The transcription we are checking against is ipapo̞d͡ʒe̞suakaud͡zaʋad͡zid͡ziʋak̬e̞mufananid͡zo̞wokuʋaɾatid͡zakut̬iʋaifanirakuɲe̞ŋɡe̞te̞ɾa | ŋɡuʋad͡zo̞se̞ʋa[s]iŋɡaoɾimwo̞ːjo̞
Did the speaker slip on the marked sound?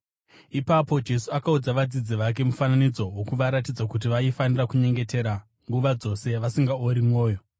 no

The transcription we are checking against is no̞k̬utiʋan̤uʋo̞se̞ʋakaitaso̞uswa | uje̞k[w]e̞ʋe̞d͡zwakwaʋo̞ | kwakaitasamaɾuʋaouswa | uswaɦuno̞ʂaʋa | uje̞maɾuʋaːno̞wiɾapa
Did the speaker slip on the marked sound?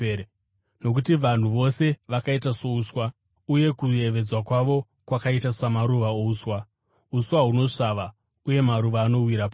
yes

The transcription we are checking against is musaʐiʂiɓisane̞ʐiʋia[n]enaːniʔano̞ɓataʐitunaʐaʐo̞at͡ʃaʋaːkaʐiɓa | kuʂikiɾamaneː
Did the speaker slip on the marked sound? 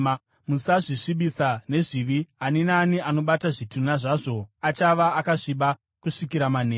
no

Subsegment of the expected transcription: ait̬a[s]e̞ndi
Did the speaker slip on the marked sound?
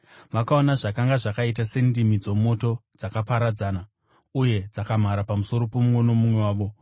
no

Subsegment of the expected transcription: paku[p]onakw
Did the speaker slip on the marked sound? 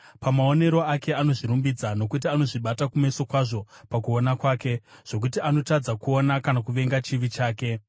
yes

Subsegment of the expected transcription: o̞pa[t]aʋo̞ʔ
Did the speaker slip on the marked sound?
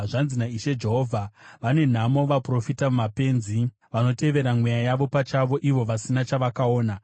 yes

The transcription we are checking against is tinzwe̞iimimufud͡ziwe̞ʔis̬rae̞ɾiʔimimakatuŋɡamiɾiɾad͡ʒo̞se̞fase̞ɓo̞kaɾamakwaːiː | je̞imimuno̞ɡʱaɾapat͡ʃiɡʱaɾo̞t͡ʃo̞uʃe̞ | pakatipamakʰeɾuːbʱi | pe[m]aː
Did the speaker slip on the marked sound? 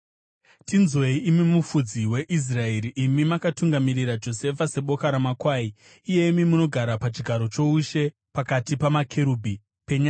yes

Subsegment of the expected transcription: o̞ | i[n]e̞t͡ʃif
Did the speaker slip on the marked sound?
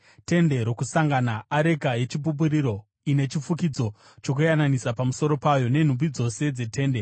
no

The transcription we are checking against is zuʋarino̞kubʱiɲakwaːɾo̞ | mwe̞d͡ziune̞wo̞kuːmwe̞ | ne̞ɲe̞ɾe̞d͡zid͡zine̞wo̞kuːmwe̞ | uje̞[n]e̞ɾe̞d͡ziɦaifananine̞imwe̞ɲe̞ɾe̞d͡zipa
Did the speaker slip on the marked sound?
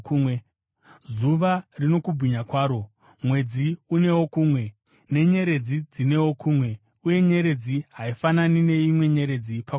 yes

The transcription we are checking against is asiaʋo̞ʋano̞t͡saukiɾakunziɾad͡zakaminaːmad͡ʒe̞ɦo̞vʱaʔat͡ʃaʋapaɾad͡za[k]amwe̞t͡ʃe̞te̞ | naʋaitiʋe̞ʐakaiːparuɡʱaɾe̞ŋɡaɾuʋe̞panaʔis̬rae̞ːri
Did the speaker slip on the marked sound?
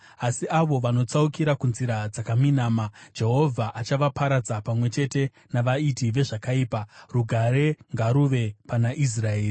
yes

